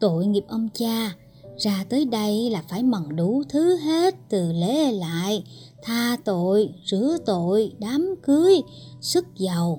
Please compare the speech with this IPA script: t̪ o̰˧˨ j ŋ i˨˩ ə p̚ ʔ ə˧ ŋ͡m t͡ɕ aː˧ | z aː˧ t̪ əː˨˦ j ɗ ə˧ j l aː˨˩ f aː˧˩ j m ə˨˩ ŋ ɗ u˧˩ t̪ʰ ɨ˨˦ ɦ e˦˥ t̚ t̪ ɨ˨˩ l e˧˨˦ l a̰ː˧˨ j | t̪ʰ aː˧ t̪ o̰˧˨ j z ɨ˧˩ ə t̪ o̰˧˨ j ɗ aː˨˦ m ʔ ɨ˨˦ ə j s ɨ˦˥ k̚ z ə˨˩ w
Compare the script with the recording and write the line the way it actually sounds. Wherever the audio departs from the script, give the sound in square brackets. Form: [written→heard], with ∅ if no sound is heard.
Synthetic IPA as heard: t̪ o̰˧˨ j ŋ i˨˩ ə p̚ ʔ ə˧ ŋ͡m t͡ɕ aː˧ | z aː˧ t̪ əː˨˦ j ɗ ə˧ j l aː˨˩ f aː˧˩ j m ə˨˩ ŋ ɗ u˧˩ t̪ʰ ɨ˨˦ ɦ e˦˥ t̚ t̪ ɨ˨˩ l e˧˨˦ l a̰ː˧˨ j | t̪ʰ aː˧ t̪ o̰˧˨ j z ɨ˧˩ ə t̪ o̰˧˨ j ɗ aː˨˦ m [ʔ→k] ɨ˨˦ ə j s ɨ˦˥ k̚ z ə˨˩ w